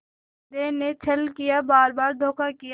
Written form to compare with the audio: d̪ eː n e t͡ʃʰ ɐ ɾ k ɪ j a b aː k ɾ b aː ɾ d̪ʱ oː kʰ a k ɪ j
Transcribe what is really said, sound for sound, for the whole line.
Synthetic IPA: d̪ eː n e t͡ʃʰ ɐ l k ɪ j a b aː ɾ b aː ɾ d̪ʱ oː k a k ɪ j